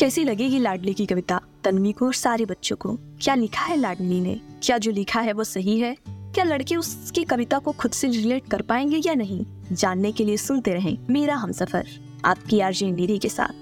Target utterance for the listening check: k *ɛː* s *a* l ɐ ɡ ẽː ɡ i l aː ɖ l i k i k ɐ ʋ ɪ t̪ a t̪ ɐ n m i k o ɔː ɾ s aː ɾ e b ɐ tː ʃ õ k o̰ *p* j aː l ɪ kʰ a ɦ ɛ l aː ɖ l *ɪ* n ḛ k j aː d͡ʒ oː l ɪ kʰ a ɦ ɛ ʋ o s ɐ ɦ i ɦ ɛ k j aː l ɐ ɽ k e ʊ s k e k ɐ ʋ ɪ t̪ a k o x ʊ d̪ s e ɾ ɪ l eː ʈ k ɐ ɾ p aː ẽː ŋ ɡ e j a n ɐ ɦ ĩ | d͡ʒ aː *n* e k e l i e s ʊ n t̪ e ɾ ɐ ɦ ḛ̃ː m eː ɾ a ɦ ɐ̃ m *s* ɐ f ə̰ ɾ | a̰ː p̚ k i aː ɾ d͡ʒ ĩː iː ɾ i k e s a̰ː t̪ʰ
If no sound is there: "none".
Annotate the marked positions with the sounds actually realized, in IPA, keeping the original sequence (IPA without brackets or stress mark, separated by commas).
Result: ɛː, i, k, i, nː, s